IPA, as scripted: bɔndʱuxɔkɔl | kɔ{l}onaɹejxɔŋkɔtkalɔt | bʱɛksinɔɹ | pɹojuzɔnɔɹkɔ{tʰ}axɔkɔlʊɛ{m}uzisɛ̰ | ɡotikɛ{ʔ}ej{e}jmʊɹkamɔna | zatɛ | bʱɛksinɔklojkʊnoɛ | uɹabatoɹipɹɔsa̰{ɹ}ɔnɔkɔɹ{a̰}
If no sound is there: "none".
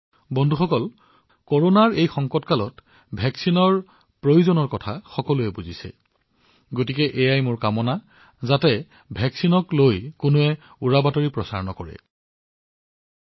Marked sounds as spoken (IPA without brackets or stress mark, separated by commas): ɹ, tʰ, b, ʔ, a, ɹ, ɛ̰